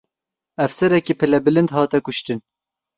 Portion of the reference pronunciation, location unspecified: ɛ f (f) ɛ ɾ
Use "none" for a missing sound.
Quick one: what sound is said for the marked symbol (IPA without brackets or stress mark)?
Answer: s